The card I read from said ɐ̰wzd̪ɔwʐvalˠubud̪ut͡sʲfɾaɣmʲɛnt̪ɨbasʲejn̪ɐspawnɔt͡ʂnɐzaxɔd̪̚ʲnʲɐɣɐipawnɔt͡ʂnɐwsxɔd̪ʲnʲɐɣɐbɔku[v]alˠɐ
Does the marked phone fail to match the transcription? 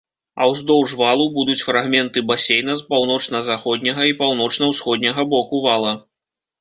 no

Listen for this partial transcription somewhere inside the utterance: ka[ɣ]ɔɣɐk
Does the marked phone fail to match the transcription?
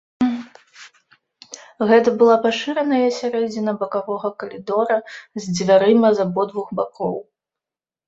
yes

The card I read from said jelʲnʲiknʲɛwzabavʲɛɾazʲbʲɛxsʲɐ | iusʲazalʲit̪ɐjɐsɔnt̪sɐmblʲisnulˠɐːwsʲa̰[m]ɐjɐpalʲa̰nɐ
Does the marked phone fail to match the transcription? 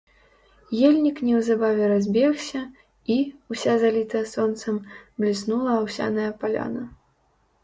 yes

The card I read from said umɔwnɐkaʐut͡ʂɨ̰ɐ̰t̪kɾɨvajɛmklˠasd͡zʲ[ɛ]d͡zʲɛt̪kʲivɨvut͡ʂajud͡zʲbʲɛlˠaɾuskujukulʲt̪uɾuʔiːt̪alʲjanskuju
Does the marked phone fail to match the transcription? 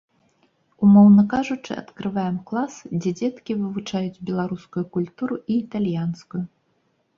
no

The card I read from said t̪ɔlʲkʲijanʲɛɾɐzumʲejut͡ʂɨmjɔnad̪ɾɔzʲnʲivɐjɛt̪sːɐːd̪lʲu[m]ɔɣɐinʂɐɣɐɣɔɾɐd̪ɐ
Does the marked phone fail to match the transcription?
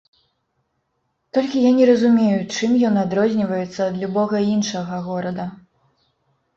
yes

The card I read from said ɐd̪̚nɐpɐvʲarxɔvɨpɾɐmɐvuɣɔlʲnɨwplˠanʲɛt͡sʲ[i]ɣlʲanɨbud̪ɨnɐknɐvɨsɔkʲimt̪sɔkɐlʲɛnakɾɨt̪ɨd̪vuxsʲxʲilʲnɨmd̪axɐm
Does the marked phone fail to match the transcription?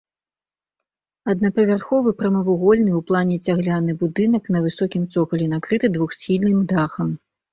yes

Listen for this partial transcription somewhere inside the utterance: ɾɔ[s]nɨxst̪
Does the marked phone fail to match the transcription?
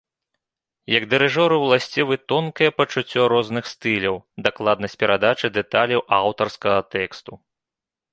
yes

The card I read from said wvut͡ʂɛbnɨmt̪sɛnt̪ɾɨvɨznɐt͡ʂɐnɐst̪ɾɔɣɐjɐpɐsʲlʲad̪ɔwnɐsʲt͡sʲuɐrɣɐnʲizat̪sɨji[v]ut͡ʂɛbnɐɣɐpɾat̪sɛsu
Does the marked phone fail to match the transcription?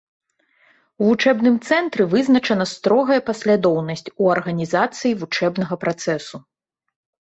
no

